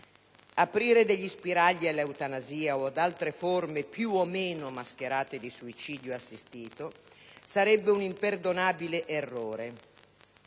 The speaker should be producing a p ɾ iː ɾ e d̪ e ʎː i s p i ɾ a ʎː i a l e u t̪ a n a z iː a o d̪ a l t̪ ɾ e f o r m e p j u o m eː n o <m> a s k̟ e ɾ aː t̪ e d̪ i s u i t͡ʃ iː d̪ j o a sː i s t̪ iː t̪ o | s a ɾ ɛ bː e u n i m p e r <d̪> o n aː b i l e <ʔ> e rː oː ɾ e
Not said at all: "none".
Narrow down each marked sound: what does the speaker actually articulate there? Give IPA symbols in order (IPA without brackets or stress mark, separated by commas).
m, d̪, ʔ